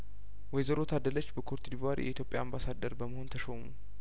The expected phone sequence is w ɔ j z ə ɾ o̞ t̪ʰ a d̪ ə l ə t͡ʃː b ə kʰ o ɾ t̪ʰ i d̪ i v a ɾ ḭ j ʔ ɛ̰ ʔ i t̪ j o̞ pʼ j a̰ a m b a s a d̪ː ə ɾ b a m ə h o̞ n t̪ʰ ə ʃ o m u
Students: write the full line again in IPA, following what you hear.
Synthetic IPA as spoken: w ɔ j z ə ɾ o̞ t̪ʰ a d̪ ə l ə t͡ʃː b ə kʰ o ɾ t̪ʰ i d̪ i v a ɾ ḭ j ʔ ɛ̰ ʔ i t̪ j o̞ pʼ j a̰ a m b a s a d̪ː ə ɾ b ə m ə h o̞ n t̪ʰ ə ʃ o m u